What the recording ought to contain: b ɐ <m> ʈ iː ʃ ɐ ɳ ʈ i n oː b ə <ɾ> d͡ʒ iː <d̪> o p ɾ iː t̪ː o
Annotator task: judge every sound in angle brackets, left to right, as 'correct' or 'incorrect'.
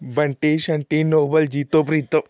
incorrect: ɳ, incorrect: l, incorrect: t̪

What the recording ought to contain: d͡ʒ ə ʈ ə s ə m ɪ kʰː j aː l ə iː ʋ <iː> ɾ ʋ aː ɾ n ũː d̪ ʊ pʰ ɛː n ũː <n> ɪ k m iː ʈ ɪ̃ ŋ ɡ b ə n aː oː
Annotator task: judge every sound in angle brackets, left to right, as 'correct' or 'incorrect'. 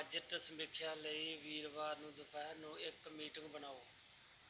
correct, incorrect: none

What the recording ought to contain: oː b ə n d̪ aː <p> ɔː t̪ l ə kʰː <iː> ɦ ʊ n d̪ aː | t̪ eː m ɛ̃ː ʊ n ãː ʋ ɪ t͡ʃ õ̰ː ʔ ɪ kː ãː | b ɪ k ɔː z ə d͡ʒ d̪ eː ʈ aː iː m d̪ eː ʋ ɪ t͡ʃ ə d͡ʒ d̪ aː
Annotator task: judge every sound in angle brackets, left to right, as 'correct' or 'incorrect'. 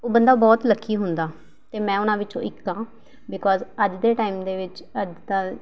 incorrect: b, correct

